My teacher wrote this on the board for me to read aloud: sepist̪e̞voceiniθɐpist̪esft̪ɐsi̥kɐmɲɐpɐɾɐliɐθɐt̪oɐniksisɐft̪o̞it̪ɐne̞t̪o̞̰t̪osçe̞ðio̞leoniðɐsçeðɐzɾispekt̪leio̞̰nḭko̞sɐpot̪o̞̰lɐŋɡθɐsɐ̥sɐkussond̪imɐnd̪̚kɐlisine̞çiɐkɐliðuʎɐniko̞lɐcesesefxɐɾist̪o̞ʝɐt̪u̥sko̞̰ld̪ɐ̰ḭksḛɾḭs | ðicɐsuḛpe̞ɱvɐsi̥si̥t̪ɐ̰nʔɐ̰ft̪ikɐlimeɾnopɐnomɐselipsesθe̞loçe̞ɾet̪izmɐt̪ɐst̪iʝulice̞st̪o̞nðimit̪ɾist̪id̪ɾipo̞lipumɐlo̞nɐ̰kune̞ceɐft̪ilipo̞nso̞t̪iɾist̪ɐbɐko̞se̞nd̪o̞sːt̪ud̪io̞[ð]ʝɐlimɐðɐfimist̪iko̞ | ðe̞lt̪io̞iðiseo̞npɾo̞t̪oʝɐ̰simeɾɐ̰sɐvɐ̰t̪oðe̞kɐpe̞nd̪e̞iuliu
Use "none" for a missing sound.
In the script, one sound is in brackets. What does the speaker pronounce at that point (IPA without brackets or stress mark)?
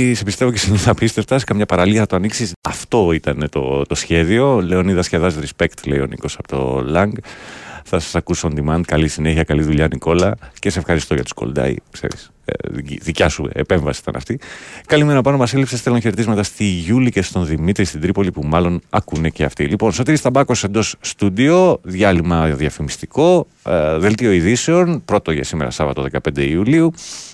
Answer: ð